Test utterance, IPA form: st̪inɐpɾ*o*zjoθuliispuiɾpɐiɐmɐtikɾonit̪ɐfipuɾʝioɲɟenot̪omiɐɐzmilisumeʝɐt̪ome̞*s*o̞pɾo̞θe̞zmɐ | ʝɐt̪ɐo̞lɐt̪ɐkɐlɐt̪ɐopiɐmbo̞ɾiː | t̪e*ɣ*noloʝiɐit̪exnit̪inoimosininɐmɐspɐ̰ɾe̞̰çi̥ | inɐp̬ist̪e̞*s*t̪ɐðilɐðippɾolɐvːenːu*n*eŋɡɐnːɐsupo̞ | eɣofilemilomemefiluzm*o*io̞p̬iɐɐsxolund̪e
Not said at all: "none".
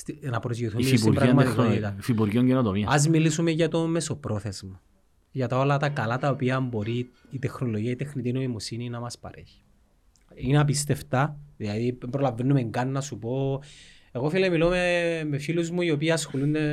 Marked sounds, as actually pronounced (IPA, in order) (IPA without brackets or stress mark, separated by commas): o, s, x, f, m, u